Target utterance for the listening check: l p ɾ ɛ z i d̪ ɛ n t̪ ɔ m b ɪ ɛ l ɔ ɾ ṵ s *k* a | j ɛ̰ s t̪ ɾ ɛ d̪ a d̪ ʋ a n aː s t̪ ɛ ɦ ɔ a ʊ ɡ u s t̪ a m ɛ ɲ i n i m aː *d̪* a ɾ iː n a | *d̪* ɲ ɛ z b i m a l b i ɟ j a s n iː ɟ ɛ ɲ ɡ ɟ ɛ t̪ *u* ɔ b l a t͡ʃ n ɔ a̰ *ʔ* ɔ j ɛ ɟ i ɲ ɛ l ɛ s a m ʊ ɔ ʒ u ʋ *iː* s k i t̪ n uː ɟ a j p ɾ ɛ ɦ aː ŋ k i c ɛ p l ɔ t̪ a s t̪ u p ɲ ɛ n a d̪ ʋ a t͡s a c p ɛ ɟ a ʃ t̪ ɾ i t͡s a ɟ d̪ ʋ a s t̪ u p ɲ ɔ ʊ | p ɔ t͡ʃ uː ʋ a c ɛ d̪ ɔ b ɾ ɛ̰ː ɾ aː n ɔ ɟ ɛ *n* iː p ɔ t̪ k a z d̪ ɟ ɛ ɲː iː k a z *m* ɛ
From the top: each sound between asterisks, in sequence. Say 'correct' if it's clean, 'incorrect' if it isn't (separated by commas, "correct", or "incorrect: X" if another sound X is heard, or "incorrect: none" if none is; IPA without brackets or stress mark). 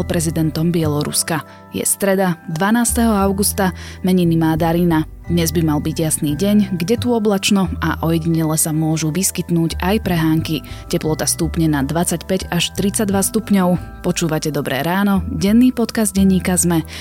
correct, correct, correct, correct, correct, incorrect: i, incorrect: nː, correct